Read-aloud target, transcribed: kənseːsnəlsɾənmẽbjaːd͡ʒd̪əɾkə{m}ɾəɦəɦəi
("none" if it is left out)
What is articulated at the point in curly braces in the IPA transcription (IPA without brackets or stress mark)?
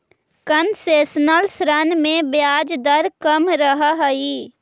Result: m